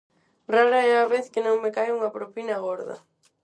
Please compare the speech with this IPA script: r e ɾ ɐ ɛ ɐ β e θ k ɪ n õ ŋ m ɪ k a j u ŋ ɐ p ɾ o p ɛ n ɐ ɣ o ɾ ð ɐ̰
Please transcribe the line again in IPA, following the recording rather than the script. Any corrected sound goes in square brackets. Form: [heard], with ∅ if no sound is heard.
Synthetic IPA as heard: r [a] ɾ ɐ ɛ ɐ β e θ k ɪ n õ ŋ m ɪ k a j u ŋ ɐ p ɾ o p [i] n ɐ ɣ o ɾ ð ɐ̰